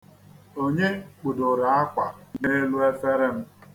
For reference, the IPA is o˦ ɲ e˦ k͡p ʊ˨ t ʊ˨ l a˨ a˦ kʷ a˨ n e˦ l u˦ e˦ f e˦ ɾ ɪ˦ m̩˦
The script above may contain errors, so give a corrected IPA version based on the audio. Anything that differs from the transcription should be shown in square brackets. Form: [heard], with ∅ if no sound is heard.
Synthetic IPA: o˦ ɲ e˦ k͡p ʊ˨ [d] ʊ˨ [ɾ] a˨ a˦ kʷ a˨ n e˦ l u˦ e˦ f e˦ ɾ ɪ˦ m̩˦

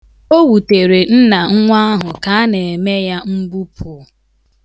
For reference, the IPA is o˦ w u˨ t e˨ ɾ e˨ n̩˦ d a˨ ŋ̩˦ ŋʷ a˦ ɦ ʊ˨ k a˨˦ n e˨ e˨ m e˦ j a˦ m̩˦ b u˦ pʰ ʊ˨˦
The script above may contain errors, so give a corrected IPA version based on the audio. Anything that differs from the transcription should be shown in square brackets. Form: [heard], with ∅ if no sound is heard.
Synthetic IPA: o˦ w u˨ t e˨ ɾ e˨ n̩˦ [n] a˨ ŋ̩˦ ŋʷ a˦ ɦ ʊ˨ k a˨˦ n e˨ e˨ m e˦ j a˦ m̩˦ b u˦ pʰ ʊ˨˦

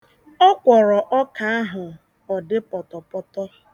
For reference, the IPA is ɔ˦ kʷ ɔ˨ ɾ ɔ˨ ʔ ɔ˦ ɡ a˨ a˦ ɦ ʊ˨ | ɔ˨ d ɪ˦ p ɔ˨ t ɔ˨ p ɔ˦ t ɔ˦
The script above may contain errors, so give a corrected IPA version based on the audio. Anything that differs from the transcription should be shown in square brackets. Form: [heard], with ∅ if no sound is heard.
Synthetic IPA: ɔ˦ kʷ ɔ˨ ɾ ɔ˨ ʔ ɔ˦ [k] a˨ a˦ ɦ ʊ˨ | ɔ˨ d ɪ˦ p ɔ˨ t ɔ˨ p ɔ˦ t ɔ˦

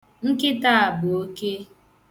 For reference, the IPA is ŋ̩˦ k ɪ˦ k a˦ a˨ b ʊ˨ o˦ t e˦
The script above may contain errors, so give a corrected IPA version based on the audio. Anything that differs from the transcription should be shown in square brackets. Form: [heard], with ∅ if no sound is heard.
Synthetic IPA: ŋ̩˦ k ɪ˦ [t] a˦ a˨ b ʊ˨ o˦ [k] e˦

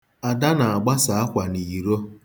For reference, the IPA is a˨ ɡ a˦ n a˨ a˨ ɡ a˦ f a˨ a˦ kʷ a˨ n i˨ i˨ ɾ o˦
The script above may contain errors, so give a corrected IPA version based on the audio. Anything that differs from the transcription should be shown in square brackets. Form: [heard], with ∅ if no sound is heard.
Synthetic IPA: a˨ [d] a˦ n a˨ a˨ [ɡ͡b] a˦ [s] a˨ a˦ kʷ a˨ n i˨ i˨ ɾ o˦

